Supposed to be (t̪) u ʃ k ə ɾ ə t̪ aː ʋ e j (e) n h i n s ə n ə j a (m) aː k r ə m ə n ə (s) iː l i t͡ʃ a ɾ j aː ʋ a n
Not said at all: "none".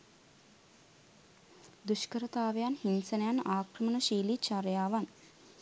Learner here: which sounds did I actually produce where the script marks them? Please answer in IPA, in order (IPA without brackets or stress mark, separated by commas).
d̪, a, n, ʃ